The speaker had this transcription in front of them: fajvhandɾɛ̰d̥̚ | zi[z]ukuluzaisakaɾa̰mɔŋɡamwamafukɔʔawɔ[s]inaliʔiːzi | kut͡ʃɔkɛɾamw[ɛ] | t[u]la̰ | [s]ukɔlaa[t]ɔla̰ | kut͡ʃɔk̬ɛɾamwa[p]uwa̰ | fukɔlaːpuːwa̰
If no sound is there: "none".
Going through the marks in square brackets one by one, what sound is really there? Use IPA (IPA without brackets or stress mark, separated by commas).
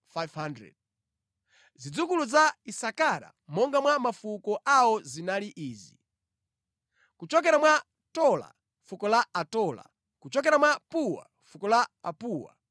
d͡z, z, a, ɔ, f, t, p